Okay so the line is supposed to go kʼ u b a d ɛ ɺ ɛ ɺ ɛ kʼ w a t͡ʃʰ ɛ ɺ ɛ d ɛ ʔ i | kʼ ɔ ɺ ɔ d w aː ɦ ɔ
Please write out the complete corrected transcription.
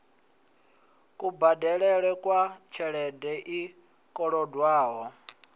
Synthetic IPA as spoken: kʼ u b a d ɛ ɺ ɛ ɺ ɛ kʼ w a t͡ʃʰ ɛ ɺ ɛ d ɛ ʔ i | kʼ ɔ ɺ ɔ d w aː ɦ ɔ